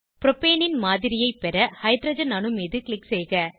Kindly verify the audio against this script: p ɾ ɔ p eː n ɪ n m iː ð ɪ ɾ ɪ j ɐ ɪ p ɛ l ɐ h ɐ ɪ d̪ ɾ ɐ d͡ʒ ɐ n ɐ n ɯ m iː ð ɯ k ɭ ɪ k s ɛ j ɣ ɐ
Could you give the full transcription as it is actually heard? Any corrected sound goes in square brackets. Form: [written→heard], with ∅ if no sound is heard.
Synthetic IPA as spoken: p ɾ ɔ p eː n ɪ n m [iː→aː] ð ɪ ɾ ɪ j ɐ ɪ p ɛ [l→ɾ] ɐ h ɐ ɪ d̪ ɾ ɐ d͡ʒ ɐ n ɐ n ɯ m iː ð ɯ k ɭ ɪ k s ɛ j ɣ ɐ